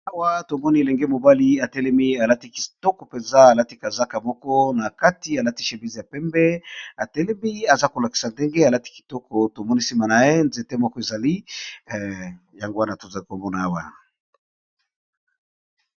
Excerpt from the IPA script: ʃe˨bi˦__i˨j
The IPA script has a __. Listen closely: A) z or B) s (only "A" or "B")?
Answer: A